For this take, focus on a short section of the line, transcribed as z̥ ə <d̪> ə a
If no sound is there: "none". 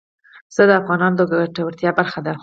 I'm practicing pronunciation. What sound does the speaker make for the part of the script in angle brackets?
d̪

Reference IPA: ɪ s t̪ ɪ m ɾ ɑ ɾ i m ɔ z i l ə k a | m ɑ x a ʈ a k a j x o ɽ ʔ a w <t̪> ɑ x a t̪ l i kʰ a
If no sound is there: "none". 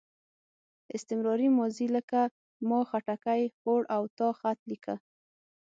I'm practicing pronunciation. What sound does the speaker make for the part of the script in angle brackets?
t̪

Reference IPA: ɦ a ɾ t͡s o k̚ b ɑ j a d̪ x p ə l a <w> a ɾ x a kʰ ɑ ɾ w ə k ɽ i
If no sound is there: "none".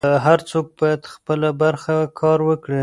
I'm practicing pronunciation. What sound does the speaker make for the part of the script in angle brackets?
b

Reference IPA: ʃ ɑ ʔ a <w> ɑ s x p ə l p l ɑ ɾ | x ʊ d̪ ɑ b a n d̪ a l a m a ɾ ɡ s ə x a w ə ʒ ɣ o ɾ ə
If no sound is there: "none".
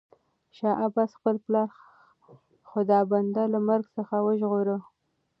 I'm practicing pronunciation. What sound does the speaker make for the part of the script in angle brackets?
b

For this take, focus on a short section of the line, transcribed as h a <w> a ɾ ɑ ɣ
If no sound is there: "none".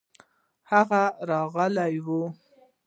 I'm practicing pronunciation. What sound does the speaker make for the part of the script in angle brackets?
ɣ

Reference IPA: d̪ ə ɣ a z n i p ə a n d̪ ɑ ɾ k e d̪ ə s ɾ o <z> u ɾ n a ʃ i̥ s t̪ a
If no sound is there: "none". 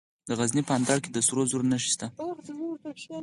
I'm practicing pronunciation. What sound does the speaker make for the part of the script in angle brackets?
z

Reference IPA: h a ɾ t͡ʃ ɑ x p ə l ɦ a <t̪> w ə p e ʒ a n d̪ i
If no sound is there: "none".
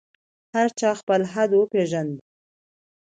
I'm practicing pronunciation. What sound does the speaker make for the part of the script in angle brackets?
d̪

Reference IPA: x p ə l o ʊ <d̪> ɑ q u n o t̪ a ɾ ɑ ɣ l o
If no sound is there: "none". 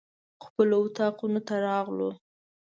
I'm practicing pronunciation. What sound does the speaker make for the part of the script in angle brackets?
t̪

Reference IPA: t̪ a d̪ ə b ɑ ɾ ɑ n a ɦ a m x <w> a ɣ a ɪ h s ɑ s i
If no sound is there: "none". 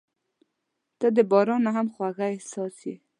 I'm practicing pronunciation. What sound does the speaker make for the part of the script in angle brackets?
w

